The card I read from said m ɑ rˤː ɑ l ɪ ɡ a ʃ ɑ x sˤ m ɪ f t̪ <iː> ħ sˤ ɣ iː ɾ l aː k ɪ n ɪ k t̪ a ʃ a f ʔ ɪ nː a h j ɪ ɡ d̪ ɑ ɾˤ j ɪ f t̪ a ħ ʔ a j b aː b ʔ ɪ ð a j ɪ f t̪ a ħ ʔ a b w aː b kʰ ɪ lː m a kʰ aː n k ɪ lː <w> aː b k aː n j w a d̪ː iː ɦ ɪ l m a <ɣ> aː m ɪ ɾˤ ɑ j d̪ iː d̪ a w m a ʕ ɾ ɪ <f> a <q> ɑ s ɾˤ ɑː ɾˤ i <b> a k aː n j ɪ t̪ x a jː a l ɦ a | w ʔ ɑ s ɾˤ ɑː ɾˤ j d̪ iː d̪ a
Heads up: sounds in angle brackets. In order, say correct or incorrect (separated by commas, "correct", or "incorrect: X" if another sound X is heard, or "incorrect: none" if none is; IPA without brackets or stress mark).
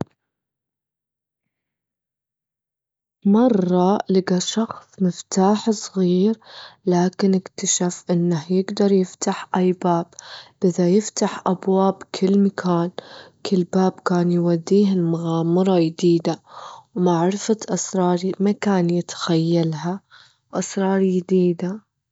incorrect: aː, incorrect: b, correct, correct, incorrect: ʔ, incorrect: m